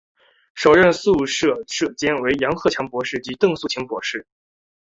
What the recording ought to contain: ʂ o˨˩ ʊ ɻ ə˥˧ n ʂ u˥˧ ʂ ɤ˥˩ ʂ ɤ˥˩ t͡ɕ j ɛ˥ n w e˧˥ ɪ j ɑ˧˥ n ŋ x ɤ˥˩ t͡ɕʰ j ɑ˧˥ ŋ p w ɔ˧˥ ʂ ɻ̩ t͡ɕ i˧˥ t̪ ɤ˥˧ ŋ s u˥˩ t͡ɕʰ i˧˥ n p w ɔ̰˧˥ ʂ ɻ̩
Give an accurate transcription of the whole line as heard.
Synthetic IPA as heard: ʂ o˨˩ ʊ ɻ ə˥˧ n s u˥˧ ʂ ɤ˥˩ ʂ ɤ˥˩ t͡ɕ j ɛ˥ n w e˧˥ ɪ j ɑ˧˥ ŋ x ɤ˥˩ t͡ɕʰ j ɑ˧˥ ŋ p w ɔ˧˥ ʂ ɻ̩ t͡ɕ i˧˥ t̪ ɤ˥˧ ŋ s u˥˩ t͡ɕʰ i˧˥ ŋ p w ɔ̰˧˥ ʂ ɻ̩